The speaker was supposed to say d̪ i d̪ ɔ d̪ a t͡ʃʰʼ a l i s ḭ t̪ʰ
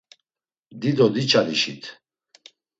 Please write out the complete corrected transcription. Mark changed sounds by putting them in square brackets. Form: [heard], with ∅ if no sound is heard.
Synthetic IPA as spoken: d̪ i d̪ ɔ d̪ [i] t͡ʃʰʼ a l i [ʃ] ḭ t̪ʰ